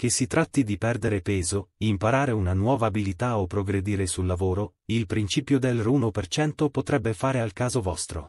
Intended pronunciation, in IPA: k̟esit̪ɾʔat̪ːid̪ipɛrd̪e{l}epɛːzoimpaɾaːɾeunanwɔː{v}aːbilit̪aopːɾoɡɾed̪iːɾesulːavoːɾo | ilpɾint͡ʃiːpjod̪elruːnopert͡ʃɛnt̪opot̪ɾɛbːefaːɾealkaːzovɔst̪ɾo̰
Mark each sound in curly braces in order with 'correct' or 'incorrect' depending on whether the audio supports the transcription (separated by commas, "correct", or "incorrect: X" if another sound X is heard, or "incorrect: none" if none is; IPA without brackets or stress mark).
incorrect: ɾ, correct